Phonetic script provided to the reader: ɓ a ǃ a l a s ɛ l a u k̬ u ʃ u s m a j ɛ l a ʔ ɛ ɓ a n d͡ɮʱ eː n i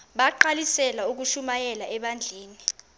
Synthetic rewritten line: ɓ a ǃ a l i s ɛ l a u k̬ u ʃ u m a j ɛ l a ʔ ɛ ɓ a n d͡ɮʱ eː n i